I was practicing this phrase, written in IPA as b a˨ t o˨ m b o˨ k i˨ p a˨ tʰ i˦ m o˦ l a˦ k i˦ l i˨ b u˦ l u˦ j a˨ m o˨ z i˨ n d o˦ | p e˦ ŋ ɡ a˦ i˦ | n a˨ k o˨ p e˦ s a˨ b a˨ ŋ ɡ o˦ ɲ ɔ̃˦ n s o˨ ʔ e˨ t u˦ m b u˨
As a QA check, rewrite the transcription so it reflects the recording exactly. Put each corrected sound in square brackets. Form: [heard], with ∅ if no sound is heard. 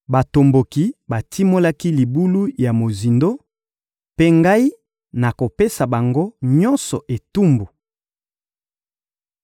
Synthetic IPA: b a˨ t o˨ m b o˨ k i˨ [b] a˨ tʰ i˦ m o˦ l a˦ k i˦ l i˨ b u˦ l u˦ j a˨ m o˨ z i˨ n d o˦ | p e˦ ŋ ɡ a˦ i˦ | n a˨ k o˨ p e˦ s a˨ b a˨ ŋ ɡ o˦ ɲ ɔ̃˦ n s [ɔ˨] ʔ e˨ t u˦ m b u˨